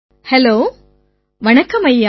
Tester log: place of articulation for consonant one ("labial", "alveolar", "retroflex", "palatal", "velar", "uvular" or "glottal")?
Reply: glottal